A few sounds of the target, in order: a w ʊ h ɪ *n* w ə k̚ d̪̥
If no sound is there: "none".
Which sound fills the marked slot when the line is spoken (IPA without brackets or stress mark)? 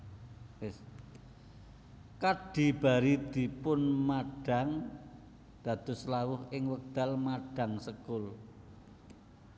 ŋ